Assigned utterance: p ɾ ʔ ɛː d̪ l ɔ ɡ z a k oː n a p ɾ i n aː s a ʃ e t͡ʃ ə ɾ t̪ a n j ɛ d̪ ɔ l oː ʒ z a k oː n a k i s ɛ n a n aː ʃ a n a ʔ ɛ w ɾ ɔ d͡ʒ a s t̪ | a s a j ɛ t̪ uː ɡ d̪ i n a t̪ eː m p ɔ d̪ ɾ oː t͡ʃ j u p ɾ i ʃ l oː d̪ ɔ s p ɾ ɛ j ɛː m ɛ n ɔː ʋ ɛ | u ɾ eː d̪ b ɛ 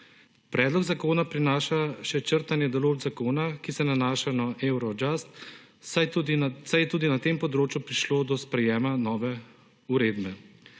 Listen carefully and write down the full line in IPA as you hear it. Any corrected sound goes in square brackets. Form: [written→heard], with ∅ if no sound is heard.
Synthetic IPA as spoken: p ɾ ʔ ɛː d̪ l ɔ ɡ z a k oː n a p ɾ i n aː [s→ʃ] a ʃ [e→ɛ] t͡ʃ ə ɾ t̪ a n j ɛ d̪ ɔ l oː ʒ z a k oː n a k i s ɛ n a n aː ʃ a n a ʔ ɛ w ɾ ɔ d͡ʒ a s t̪ | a s a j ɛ t̪ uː [ɡ→∅] d̪ i n a t̪ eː m p ɔ d̪ ɾ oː t͡ʃ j u p ɾ i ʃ l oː d̪ ɔ s p ɾ ɛ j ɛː m [ɛ→a] n ɔː ʋ ɛ | u ɾ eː d̪ b ɛ